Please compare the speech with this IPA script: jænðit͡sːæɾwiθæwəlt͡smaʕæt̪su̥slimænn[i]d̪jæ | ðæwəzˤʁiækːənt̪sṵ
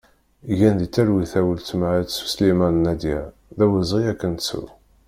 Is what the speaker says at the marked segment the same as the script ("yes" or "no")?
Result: no